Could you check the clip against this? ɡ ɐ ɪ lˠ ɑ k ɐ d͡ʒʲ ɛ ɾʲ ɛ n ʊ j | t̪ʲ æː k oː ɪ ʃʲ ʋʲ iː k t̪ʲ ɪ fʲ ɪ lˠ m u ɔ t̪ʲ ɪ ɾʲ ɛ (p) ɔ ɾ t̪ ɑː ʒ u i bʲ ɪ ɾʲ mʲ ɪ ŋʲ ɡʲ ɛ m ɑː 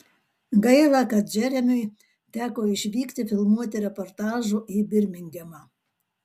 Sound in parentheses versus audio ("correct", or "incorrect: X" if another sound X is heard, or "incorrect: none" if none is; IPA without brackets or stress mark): correct